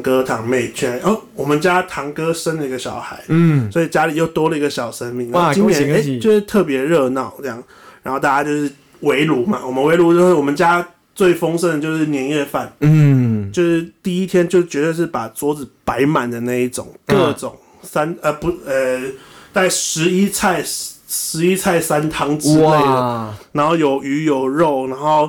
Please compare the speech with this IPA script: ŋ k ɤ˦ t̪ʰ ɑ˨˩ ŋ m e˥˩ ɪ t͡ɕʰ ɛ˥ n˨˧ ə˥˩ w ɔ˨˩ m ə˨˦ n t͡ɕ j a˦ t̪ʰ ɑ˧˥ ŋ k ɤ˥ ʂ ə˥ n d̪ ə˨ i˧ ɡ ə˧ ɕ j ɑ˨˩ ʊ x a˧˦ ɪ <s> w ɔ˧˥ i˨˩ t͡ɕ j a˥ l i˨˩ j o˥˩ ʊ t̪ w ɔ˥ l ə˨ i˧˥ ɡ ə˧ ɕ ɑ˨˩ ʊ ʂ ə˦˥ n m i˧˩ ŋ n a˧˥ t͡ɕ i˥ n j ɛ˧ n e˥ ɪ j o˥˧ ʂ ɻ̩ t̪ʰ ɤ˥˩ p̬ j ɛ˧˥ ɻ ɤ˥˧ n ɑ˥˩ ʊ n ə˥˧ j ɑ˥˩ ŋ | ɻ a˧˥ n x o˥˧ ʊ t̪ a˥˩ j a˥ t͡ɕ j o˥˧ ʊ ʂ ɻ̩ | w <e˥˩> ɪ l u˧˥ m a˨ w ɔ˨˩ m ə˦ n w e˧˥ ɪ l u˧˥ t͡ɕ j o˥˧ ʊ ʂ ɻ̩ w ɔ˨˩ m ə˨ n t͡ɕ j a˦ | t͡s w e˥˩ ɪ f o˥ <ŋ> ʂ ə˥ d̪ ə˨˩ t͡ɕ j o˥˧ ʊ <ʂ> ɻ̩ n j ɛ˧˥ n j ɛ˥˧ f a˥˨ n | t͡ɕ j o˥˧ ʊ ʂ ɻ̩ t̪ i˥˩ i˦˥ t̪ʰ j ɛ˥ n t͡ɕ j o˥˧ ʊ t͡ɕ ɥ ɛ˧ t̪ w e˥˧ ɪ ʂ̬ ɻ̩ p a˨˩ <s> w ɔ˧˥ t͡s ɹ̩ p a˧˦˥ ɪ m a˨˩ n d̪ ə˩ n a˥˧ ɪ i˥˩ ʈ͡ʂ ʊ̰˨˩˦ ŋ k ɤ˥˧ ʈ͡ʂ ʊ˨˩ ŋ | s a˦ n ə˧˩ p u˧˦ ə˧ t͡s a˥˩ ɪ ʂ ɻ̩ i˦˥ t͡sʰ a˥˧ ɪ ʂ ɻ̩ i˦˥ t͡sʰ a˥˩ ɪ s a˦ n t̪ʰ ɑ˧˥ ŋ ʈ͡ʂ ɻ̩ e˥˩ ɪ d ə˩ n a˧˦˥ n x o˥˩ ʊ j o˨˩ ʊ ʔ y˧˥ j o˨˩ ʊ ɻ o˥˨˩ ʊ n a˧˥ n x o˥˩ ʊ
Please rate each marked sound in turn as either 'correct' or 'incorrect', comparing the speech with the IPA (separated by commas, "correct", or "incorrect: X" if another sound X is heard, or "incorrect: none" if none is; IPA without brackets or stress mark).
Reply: correct, incorrect: e˧˥, correct, correct, incorrect: t͡s